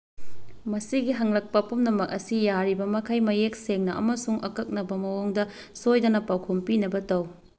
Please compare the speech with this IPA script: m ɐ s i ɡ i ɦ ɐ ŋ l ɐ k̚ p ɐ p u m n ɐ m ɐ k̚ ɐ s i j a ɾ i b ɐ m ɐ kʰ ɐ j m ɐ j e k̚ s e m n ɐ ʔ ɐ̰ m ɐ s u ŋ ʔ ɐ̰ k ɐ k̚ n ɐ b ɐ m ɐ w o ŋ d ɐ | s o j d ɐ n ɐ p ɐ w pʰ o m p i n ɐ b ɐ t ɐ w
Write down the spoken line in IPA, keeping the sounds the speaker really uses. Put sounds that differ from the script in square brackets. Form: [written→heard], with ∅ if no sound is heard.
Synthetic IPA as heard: m ɐ s i ɡ i ɦ ɐ ŋ l ɐ k̚ p ɐ p u m n ɐ m ɐ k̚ ɐ s i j a ɾ i b ɐ m ɐ kʰ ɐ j m ɐ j e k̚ s e [m→ŋ] n ɐ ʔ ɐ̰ m ɐ s u ŋ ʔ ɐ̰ k ɐ k̚ n ɐ b ɐ m ɐ w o ŋ d ɐ | s o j d ɐ n ɐ p [ɐ→a] w [pʰ→kʰ] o m p i n ɐ b ɐ t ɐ w